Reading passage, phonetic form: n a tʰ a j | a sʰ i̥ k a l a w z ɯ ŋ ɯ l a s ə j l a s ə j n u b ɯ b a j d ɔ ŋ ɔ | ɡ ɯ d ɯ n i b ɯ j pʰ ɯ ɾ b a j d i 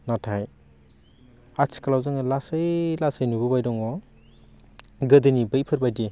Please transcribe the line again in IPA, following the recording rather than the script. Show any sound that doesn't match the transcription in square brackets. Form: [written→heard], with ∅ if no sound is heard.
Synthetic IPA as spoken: n a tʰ a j | a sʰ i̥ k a l a w z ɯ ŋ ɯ l a s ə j l a s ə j n u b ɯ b a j d ɔ ŋ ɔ | ɡ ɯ d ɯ n i b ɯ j pʰ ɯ ɾ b a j d i

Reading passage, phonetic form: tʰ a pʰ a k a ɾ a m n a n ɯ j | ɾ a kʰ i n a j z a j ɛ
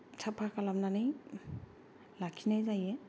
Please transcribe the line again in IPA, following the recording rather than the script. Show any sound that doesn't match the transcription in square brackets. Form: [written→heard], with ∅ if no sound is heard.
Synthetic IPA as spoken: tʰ a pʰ a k a [ɾ→l] a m n a n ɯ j | [ɾ→l] a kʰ i n a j z a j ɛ

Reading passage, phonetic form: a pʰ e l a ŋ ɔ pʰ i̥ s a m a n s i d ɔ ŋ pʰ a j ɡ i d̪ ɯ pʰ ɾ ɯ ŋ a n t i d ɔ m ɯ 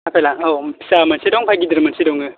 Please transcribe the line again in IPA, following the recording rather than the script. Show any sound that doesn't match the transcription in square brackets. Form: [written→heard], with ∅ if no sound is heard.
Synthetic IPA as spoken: a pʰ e l a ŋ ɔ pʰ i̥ s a m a n s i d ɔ ŋ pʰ a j ɡ i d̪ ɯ [pʰ→∅] ɾ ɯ [ŋ→m] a n [t→s] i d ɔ [m→ŋ] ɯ

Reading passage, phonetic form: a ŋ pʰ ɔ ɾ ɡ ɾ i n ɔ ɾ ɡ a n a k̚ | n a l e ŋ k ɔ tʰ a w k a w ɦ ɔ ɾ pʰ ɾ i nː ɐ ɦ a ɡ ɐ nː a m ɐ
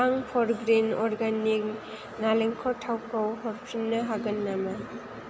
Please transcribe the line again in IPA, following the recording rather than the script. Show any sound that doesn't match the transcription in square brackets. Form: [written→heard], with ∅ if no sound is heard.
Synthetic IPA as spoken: a ŋ pʰ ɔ ɾ ɡ ɾ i n ɔ ɾ ɡ a n [a→i] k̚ | n a l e ŋ [k→kʰ] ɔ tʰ a w k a w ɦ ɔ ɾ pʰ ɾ i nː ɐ ɦ a ɡ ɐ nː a m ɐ

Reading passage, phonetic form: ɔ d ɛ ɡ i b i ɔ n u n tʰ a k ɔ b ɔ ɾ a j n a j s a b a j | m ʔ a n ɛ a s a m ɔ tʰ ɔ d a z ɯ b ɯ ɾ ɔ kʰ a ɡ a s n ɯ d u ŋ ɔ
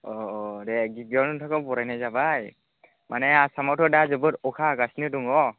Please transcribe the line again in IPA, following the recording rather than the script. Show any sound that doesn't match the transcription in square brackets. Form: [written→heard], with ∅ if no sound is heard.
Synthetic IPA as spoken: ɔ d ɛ ɡ i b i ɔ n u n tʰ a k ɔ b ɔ ɾ a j n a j [s→z] a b a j | m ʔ a n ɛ a s a m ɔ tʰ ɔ d a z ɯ b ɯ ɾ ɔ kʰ a ɡ a s n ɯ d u ŋ ɔ

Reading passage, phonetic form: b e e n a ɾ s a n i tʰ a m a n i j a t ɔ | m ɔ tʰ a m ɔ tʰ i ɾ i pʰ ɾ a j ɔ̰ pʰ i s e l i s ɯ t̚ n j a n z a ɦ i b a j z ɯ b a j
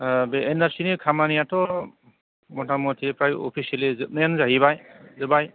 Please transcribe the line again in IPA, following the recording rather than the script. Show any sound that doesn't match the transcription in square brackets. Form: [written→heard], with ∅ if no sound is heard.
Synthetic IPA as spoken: b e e n a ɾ s [a→i] n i [tʰ→kʰ] a m a n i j a t ɔ | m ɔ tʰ a m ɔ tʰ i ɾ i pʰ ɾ a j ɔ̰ pʰ i s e l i [s→z] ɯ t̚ n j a n z a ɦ i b a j z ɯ b a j

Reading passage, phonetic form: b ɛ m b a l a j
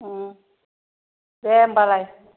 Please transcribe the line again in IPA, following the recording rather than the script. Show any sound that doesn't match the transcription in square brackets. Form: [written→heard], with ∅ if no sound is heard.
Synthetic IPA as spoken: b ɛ m b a l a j

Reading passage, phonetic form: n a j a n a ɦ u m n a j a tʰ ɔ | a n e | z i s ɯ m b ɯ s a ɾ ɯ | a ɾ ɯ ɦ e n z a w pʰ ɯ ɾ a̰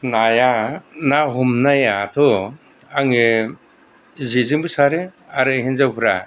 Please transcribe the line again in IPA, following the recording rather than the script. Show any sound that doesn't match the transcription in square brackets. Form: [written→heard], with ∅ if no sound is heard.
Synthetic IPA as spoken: n a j a n a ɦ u m n a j a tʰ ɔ | a [n→ŋ] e | z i [s→z] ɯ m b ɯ s a ɾ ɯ | a ɾ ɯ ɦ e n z a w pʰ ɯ ɾ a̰

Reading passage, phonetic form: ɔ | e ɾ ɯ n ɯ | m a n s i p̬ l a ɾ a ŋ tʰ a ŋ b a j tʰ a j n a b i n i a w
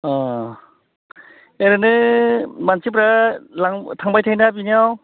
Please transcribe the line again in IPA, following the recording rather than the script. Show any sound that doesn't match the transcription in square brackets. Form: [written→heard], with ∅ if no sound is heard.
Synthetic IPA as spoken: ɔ | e ɾ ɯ n ɯ | m a n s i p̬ [l→ɾ] a [ɾ→l] a ŋ tʰ a ŋ b a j tʰ a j n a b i n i a w

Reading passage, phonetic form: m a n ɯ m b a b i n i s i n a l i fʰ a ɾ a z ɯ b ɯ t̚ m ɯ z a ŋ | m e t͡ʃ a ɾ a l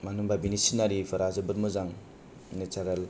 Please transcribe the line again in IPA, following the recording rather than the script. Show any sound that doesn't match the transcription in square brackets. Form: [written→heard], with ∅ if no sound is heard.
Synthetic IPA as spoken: m a n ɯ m b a b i n i s i n a [l→ɾ] i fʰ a ɾ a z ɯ b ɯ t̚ m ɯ z a ŋ | [m→n] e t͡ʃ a ɾ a l

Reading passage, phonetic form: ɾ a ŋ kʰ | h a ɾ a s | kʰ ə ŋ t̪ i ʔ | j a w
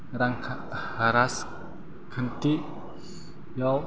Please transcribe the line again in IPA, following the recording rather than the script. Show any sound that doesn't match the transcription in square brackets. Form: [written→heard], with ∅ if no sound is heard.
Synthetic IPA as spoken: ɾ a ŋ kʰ | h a ɾ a s | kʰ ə [ŋ→n] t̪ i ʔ | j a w

